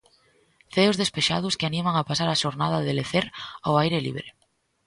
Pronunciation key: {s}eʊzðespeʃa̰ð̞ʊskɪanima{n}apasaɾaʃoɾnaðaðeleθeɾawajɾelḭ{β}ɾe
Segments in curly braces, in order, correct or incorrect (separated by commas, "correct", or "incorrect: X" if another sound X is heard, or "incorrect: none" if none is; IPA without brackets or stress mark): incorrect: θ, incorrect: ŋ, correct